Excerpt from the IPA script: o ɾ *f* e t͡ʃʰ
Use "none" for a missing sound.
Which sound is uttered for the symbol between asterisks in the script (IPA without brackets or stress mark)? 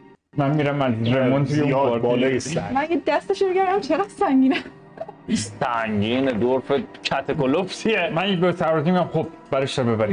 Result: f